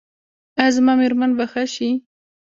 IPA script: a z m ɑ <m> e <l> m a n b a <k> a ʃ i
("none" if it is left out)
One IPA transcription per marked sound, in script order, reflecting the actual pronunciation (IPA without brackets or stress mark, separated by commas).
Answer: m, ɾ, x